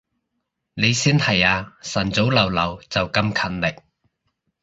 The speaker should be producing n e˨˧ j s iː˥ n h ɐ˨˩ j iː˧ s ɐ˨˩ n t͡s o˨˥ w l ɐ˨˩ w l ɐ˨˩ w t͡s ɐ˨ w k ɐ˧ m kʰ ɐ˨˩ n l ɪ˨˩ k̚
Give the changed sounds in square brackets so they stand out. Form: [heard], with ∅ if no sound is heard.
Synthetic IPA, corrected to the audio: n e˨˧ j s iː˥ n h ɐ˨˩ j [aː˧] s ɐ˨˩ n t͡s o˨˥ w l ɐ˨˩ w l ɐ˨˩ w t͡s ɐ˨ w k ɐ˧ m kʰ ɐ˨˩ n l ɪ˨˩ k̚